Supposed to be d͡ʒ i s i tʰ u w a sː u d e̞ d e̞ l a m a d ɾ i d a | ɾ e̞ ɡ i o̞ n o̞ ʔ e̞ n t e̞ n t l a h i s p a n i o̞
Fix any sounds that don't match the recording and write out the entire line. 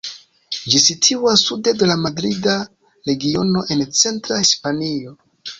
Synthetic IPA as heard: d͡ʒ i s i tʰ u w a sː u d e̞ d e̞ l a m a d ɾ i d a | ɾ e̞ ɡ i o̞ n o̞ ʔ e̞ n t͡s e̞ n t ɾ a h i s p a n i o̞